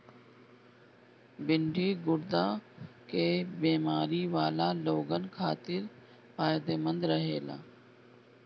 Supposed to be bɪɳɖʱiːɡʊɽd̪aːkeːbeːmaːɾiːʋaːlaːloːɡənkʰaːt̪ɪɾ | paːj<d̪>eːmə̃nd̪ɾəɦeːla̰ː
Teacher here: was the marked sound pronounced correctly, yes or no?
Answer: yes